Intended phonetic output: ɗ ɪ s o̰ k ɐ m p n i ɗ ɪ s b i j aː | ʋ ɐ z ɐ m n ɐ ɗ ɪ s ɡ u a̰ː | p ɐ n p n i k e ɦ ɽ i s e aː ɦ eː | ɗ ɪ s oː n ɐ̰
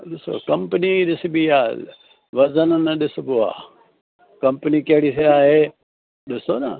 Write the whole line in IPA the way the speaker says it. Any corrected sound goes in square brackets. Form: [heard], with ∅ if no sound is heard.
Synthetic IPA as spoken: ɗ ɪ s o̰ k ɐ m p n i ɗ ɪ s b i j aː | ʋ ɐ z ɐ [n] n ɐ ɗ ɪ s [b] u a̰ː | [k] ɐ [m] p n i k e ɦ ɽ i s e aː ɦ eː | ɗ ɪ s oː n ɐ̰